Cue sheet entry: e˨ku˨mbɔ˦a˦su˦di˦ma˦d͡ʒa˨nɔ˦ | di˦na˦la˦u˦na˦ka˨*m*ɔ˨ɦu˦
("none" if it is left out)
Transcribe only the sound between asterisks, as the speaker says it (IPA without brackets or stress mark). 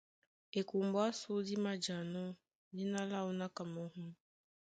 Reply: m